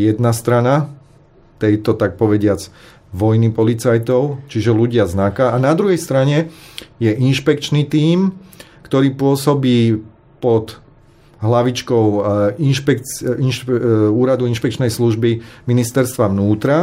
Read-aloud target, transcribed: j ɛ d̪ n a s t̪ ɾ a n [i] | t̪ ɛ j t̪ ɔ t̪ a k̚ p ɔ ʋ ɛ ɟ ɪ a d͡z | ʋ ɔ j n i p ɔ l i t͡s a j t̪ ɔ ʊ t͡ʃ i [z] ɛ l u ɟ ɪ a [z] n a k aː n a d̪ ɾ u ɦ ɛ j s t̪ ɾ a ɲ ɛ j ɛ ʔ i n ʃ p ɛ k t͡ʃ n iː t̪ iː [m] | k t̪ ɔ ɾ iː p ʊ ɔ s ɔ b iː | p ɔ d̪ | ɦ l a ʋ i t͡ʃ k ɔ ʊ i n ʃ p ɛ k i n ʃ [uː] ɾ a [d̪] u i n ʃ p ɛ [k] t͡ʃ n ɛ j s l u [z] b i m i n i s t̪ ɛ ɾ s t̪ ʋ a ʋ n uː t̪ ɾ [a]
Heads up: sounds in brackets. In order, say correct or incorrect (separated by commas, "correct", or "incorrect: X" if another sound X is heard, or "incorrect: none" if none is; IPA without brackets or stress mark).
incorrect: a, incorrect: ʒ, correct, correct, correct, correct, correct, incorrect: ʒ, correct